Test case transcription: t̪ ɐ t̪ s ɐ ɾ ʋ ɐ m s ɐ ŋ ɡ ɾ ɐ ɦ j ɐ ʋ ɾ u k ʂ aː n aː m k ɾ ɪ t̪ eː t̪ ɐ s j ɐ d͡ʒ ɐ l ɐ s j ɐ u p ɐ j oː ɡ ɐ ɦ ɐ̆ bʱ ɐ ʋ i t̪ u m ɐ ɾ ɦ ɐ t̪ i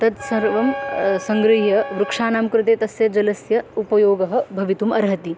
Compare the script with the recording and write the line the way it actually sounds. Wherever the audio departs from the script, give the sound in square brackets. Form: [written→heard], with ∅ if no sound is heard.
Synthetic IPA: t̪ ɐ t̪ s ɐ ɾ ʋ ɐ m s ɐ ŋ ɡ ɾ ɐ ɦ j ɐ ʋ ɾ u k ʂ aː n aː m k ɾ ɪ t̪ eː t̪ ɐ s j ɐ d͡ʒ ɐ l ɐ s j ɐ u p ɐ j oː ɡ ɐ ɦ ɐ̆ bʱ ɐ ʋ i t̪ u m ɐ ɾ ɦ ɐ t̪ i